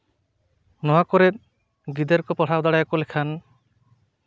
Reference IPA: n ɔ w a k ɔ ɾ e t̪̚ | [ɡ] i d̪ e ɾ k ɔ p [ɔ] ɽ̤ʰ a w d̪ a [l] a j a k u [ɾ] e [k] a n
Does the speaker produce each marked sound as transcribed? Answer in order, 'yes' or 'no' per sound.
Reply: yes, yes, no, no, no

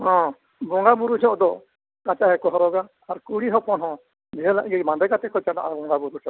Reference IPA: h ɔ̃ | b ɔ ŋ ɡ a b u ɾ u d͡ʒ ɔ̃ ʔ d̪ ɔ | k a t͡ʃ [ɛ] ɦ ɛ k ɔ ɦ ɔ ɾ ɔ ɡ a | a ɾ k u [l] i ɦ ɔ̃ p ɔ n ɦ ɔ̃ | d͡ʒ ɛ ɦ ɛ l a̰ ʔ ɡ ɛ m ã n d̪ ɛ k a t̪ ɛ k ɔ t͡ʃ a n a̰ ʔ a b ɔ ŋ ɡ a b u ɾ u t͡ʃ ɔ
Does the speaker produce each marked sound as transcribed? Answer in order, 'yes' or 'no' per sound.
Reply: no, no

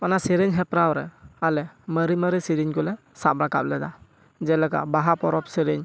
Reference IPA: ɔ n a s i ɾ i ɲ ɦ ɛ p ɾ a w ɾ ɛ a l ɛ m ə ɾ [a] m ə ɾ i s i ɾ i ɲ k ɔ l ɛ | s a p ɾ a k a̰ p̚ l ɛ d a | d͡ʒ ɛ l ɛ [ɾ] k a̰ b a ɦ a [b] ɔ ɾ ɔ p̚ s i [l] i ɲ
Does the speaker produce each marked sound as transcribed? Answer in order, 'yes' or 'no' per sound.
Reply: no, no, no, no

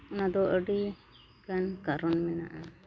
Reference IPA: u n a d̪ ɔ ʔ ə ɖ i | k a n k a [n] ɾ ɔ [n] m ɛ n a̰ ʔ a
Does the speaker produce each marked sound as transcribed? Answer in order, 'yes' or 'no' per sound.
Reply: no, yes

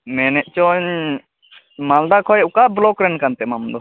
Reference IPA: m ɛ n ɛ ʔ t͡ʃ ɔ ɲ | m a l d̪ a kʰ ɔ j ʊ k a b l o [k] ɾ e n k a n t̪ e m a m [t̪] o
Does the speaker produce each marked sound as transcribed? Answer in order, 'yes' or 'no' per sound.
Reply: yes, no

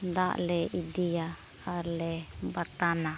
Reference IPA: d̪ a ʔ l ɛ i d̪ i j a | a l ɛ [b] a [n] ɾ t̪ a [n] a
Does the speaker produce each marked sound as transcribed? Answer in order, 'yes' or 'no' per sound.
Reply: yes, no, yes

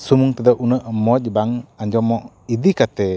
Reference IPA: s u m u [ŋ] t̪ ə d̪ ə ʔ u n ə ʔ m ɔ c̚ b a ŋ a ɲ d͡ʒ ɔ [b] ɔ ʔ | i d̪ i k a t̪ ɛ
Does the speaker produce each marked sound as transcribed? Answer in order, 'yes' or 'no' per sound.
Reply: yes, no

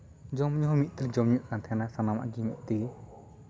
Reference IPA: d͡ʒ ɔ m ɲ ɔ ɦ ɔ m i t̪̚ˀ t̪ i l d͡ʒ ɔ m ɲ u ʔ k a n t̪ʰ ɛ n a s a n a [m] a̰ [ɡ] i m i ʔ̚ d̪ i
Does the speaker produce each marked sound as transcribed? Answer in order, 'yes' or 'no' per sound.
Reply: yes, yes

